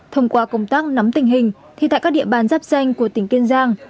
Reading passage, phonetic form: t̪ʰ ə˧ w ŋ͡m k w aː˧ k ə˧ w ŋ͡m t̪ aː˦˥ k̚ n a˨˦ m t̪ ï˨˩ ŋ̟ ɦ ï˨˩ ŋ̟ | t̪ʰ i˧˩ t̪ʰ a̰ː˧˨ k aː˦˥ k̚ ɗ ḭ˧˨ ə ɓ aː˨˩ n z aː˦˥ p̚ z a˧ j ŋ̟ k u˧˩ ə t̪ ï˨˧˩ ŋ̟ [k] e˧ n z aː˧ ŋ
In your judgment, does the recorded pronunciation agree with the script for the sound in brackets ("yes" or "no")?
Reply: yes